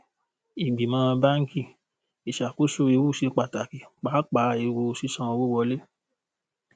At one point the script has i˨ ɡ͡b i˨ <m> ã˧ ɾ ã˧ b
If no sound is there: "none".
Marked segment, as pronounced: m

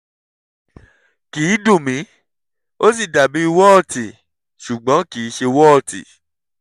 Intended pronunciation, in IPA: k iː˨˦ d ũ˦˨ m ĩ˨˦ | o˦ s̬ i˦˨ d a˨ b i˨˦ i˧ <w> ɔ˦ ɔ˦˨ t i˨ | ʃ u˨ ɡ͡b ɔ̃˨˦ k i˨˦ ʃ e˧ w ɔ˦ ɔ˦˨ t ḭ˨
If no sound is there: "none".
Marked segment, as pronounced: w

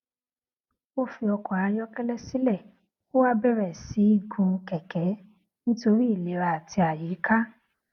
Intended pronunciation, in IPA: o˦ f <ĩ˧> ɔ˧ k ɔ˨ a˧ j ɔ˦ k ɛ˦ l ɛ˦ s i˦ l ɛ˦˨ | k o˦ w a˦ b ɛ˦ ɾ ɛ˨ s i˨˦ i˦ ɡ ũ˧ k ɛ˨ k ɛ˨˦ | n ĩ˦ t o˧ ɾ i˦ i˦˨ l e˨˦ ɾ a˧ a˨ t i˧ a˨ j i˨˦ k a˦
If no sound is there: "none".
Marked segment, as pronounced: i˧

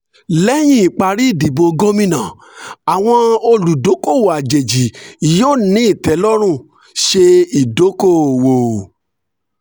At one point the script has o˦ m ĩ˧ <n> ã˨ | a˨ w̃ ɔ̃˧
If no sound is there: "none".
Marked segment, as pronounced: n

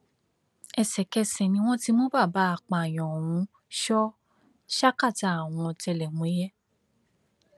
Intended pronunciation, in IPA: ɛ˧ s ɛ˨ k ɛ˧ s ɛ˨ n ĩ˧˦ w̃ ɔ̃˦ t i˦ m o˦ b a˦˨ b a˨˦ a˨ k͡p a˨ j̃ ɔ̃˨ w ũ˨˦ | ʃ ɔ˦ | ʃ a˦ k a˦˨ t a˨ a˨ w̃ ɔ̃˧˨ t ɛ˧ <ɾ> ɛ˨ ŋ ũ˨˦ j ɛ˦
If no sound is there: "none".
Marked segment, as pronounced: l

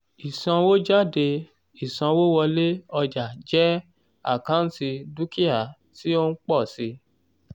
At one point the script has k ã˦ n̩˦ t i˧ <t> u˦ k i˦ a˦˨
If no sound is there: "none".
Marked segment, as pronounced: d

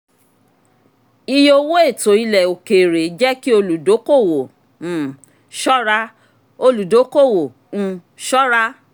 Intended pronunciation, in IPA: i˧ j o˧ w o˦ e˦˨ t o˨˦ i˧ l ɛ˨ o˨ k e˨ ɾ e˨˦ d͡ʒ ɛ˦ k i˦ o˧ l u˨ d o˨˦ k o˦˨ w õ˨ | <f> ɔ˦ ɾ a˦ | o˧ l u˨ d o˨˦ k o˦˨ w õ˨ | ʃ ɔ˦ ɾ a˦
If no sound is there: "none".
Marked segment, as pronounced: ʃ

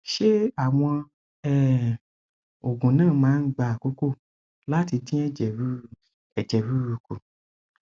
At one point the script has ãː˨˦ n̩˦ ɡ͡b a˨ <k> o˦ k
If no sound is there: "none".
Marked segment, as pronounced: k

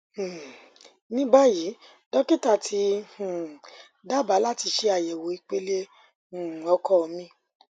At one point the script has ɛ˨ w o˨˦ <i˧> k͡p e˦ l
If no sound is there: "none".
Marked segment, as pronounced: i˧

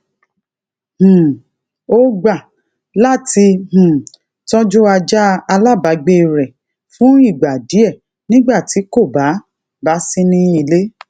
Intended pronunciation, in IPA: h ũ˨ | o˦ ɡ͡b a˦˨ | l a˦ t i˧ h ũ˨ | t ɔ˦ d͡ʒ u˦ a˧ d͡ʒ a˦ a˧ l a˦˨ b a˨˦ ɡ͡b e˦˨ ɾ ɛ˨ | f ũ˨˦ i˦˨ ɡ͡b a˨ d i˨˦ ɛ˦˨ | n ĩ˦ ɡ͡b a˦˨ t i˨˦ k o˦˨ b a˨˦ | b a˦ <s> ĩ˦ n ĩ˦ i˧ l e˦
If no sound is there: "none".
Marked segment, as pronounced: s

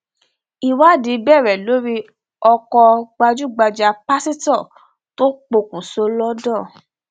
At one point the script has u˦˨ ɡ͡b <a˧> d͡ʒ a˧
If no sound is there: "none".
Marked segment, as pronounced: a˧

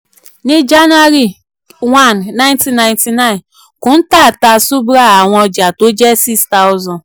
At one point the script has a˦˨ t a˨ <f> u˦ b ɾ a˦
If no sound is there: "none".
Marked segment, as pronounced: s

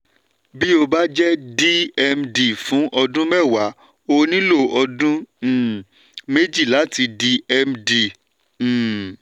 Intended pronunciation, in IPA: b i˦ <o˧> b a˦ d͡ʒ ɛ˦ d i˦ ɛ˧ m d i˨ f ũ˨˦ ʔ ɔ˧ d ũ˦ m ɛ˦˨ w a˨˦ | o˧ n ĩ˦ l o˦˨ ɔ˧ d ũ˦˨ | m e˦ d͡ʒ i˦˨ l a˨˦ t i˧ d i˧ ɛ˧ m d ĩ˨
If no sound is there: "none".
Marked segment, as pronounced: o˧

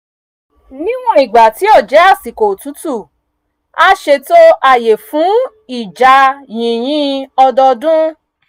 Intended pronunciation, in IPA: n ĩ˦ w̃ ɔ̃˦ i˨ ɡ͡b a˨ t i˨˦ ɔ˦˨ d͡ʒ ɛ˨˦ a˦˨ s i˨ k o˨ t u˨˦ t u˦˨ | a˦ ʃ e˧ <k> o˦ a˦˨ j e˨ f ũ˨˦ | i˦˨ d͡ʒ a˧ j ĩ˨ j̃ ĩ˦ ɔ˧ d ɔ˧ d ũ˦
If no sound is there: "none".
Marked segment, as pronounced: t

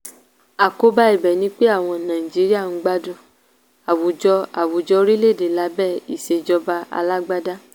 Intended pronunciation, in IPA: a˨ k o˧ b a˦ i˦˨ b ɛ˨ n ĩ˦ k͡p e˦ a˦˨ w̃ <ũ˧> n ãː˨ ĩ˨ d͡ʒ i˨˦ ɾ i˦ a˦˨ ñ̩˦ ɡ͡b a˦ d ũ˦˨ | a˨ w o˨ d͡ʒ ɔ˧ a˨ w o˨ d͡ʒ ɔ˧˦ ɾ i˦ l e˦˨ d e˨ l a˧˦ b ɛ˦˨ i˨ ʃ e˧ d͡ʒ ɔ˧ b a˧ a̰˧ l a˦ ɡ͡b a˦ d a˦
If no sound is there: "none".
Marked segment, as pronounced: ɔ̃˧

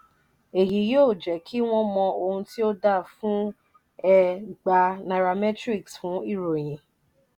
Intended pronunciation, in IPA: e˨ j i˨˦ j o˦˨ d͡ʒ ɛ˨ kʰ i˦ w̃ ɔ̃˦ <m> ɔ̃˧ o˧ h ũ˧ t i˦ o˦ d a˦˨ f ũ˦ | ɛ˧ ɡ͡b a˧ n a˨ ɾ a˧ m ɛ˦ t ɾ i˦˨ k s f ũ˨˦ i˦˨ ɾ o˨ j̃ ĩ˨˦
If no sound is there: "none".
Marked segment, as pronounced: m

